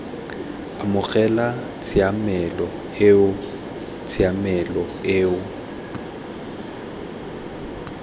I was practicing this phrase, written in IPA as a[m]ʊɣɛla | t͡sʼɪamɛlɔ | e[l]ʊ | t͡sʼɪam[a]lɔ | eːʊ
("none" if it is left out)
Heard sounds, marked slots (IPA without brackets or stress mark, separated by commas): m, none, ɛ